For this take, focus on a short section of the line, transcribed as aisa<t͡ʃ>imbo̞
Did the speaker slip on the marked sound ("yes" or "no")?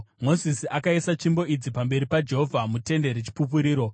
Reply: no